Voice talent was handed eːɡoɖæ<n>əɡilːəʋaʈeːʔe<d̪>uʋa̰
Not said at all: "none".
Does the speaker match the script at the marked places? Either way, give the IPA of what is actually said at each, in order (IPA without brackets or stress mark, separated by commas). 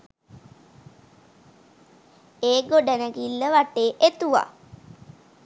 n, t̪